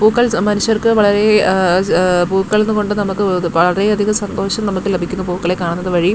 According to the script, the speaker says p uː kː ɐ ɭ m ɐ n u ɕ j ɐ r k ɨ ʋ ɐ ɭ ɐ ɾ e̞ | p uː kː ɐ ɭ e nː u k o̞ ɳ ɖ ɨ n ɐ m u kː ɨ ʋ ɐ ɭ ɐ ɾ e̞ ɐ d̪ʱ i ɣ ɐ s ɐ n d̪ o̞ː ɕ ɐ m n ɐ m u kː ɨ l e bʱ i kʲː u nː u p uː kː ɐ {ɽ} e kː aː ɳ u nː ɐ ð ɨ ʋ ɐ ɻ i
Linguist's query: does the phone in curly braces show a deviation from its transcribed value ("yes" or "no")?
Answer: yes